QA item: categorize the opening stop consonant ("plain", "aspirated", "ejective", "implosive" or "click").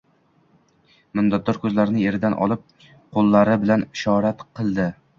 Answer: plain